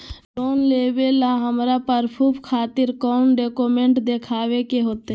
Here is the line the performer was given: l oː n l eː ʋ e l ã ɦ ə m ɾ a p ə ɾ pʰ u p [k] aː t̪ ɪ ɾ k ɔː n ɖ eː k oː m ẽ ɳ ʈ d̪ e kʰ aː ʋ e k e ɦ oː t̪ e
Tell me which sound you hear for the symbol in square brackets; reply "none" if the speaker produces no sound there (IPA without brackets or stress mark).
kʰ